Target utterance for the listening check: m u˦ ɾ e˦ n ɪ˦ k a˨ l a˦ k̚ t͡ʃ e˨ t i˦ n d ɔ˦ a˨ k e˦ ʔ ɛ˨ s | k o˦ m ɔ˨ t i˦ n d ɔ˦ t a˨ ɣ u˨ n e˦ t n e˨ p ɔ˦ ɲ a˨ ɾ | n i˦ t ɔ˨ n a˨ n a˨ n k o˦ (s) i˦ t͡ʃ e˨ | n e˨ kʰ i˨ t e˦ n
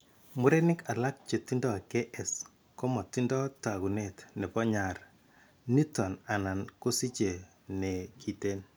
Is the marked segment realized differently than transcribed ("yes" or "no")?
no